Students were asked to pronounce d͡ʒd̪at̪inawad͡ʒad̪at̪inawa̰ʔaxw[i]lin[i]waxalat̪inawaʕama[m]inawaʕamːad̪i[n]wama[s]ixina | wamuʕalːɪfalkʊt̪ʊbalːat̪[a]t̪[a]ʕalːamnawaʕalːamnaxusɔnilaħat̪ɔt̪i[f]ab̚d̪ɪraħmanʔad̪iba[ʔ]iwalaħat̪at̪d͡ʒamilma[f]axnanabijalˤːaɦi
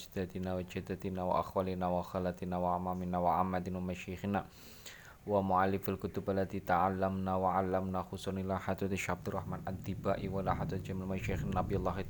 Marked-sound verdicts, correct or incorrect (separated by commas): incorrect, incorrect, correct, correct, incorrect, incorrect, correct, incorrect, correct, incorrect